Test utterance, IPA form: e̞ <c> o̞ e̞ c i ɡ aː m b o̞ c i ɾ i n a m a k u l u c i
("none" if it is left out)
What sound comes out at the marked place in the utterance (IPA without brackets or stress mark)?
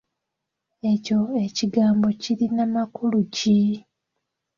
c